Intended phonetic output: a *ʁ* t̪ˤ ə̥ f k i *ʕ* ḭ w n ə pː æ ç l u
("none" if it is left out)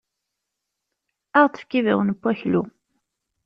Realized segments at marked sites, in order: ʁ, v

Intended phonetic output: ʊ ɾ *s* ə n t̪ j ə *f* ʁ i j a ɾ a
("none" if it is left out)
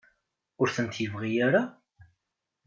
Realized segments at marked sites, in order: θ, v

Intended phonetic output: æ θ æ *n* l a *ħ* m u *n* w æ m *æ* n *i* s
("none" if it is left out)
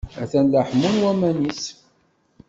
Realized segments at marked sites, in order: n, ħ, n, æ, i

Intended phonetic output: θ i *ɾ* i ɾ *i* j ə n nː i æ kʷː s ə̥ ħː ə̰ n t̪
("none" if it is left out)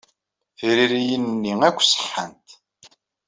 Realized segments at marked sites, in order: ɾ, i

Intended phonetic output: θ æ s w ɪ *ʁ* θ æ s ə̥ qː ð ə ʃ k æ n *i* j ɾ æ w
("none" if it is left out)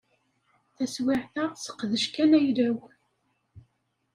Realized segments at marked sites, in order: ʕ, æ

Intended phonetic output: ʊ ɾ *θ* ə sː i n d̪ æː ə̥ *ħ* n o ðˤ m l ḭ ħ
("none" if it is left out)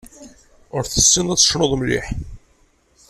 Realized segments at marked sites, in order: θ, ʃ

